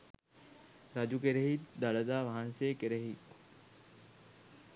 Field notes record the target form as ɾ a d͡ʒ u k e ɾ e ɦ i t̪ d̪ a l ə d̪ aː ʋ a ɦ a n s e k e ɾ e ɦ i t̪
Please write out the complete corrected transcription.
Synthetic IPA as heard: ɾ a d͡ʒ u k e ɾ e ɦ i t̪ d̪ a l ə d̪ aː ʋ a ɦ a n s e k e ɾ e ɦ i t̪